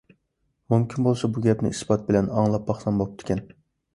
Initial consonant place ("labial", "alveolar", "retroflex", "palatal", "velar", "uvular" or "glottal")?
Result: labial